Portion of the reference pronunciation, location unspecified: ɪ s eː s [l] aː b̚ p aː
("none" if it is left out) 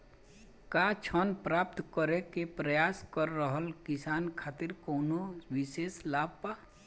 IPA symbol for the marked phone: l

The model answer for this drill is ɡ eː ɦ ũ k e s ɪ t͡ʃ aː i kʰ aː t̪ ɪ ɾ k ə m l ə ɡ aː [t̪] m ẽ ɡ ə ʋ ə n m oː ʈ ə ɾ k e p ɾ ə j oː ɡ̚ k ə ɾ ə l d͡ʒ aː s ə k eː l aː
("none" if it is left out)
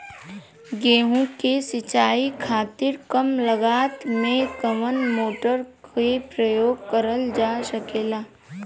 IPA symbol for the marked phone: t̪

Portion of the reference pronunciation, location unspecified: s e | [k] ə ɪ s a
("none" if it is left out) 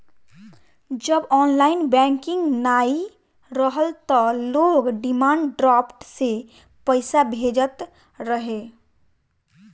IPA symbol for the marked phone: p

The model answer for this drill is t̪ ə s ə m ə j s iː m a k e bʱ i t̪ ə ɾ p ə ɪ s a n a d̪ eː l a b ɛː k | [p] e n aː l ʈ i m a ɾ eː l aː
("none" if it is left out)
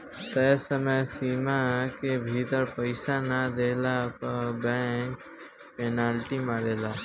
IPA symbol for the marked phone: p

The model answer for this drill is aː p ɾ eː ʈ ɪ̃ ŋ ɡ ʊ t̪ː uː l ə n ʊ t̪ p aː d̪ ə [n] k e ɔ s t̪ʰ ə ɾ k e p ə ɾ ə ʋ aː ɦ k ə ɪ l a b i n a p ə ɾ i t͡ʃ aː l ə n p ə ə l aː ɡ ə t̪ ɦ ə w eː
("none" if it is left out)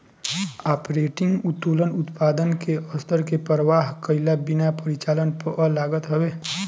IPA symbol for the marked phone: n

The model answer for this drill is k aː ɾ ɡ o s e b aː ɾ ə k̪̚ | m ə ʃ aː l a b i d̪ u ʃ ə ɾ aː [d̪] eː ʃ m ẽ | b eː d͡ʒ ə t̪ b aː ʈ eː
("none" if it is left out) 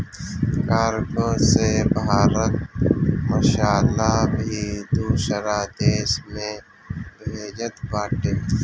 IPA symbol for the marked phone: d̪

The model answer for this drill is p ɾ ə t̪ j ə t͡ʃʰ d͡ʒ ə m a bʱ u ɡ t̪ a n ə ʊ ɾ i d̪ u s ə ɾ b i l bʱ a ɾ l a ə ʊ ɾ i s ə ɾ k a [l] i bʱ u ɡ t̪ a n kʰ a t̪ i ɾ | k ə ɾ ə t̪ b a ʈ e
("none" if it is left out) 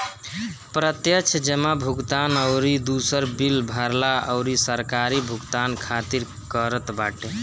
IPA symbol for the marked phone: ɾ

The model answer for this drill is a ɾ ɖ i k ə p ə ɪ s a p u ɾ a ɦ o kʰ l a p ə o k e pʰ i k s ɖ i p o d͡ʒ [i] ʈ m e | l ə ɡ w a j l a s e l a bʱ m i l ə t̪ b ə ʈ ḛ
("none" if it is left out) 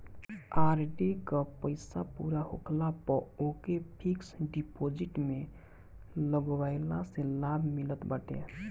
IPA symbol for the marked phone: i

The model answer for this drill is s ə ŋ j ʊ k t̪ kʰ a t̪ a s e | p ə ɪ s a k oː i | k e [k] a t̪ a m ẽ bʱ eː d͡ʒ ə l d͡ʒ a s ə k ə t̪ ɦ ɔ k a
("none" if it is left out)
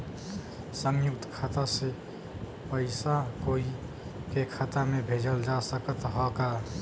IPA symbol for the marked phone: kʰ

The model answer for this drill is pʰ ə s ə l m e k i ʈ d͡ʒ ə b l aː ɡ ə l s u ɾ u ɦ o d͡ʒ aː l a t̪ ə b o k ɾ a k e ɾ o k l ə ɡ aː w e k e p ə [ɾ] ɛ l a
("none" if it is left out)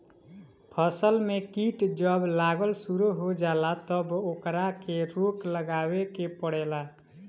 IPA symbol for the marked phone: ɽ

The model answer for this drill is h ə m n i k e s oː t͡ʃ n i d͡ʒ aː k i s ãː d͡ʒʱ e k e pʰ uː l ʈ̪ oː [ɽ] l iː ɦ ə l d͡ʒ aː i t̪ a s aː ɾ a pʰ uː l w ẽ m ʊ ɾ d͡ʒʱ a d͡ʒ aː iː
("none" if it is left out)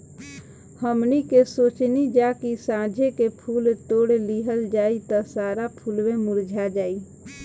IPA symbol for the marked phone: ɽ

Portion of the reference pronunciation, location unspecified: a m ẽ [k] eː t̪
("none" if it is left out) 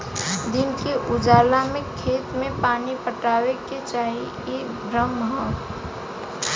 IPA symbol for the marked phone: kʰ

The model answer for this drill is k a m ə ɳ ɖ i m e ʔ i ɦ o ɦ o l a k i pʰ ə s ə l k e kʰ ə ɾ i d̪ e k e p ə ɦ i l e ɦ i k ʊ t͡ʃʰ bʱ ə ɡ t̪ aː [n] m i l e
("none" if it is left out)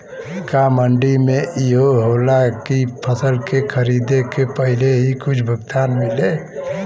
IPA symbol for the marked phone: n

